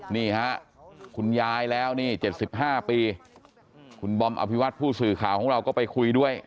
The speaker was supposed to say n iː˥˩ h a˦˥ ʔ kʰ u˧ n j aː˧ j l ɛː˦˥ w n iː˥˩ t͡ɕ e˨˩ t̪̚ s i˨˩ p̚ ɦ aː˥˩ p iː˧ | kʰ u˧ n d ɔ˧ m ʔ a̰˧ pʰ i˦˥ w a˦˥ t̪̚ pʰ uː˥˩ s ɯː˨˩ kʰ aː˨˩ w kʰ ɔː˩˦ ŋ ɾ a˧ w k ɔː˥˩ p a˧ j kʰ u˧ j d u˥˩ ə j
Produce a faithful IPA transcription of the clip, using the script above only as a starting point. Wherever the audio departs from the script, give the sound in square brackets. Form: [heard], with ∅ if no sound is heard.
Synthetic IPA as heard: n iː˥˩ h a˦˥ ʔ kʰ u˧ n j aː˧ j l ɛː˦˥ w n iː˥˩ t͡ɕ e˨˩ t̪̚ s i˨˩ p̚ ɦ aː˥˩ p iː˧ | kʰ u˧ n [b] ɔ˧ m ʔ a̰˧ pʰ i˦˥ w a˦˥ t̪̚ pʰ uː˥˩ s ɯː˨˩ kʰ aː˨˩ w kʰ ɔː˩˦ ŋ ɾ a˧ w k ɔː˥˩ p a˧ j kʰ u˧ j d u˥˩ ə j